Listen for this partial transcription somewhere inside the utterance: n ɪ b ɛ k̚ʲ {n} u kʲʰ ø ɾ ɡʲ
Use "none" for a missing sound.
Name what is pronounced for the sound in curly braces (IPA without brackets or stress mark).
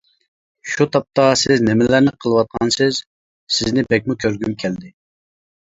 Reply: m